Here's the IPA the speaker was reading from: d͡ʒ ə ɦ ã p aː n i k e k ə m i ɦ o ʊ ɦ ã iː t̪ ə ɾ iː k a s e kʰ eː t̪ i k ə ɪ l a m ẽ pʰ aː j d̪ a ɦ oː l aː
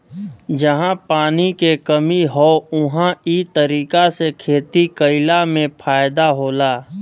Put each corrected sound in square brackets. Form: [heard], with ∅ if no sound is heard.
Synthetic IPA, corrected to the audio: d͡ʒ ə ɦ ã p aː n i k e k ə m i ɦ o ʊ ɦ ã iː t̪ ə ɾ iː k a s e kʰ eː t̪ i k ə ɪ l a m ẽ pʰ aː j d̪ a ɦ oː l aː